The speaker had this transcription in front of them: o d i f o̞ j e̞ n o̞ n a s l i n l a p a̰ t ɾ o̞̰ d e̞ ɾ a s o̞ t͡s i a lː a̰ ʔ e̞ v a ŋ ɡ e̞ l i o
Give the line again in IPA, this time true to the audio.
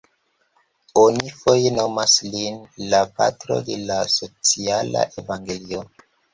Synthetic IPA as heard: o n i f o̞ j e̞ n o̞ m a s l i n l a p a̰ t ɾ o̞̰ d e̞ l a s o̞ t͡s i a l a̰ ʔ e̞ v a ŋ ɡ e̞ l i o